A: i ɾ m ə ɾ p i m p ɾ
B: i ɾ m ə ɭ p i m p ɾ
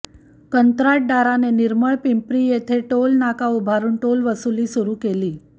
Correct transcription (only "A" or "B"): B